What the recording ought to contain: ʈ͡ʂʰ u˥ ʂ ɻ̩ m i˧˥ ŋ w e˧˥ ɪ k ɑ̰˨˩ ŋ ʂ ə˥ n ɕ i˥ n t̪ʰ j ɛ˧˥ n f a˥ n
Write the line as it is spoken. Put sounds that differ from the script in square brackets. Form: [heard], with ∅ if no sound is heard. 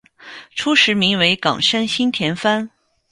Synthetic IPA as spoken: ʈ͡ʂʰ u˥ ʂ ɻ̩ m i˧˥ ŋ w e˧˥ ɪ k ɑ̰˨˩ ŋ ʂ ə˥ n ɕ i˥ n t̪ʰ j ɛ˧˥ n f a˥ n